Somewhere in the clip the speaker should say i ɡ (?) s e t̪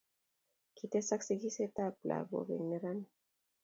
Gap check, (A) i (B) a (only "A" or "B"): A